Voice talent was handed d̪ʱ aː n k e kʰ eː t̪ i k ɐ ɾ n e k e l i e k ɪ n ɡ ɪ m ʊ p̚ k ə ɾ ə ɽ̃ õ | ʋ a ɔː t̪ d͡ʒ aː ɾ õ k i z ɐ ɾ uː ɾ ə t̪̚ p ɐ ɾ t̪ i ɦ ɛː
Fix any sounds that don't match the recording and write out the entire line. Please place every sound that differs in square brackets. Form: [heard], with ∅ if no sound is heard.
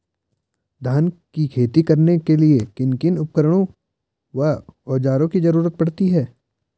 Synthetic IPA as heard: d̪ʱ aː n k [i] kʰ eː t̪ i k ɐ ɾ n e k e l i e k ɪ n [k] ɪ [n] ʊ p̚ k ə ɾ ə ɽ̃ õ | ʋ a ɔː [∅] d͡ʒ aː ɾ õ k i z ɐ ɾ uː ɾ ə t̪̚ p ɐ [ɽ] t̪ i ɦ ɛː